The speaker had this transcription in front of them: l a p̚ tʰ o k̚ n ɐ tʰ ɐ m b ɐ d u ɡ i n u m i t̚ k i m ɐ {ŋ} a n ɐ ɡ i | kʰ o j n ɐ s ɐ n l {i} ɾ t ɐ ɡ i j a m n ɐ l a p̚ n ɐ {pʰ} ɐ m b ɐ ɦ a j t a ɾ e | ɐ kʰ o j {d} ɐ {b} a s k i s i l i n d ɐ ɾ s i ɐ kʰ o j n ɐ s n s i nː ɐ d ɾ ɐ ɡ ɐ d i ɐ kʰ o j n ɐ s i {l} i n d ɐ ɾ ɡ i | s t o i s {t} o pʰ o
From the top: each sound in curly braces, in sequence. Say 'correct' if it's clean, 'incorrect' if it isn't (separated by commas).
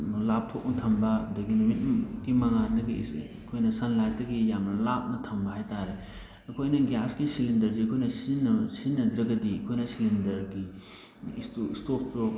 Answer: correct, incorrect, incorrect, incorrect, incorrect, correct, correct